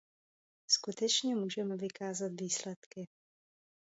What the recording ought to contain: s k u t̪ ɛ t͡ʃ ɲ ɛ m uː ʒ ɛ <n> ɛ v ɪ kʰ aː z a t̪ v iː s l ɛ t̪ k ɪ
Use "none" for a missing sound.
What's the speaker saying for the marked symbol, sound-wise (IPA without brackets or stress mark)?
m